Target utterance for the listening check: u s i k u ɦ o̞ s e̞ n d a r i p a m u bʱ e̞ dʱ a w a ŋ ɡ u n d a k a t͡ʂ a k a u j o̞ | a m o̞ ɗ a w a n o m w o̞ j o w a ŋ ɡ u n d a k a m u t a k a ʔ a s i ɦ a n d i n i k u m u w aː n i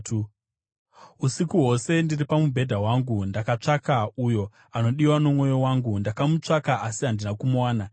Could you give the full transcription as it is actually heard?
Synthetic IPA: u s i k u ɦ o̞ s e̞ n d i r i p a m u bʱ e̞ dʱ a w a ŋ ɡ u n d a k a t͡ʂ a k a u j o̞ | a n o̞ ɗ i w a n o m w o̞ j o w a ŋ ɡ u n d a k a m u t͡ʂ a k a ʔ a s i ɦ a n d i n a k u m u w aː n a